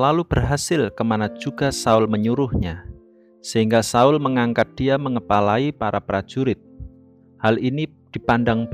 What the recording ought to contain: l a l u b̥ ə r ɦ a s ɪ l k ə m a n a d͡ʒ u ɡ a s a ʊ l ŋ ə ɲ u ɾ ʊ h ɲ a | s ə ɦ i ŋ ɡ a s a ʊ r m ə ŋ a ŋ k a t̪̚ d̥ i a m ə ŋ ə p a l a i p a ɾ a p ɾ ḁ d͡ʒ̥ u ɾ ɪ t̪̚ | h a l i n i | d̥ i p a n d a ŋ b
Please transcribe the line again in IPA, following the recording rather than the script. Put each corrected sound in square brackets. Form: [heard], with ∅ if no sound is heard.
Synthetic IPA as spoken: l a l u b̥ ə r ɦ a s ɪ l k ə m a n a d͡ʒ u ɡ a s a ʊ l [m] ə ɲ u ɾ ʊ h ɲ a | s ə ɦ i ŋ ɡ a s a ʊ [l] m ə ŋ a ŋ k a t̪̚ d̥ i a m ə ŋ ə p a l a i p a ɾ a p ɾ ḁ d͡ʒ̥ u ɾ ɪ t̪̚ | h a l i n i | d̥ i p a n d a ŋ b